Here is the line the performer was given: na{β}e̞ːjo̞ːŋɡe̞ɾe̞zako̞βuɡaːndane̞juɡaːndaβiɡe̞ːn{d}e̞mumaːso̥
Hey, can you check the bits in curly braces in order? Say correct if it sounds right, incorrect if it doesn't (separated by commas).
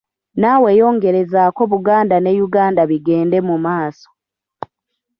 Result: incorrect, correct